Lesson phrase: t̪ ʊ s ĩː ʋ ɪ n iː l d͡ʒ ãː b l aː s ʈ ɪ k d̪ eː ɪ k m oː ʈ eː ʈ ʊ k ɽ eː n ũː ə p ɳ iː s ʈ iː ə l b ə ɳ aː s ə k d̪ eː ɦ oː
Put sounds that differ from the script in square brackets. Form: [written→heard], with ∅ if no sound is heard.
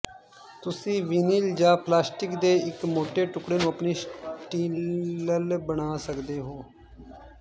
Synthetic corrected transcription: t̪ ʊ s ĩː ʋ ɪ n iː l d͡ʒ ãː [b→p] l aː s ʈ ɪ k d̪ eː ɪ k m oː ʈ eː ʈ ʊ k ɽ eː n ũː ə p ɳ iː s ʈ iː ə l b ə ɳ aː s ə k d̪ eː ɦ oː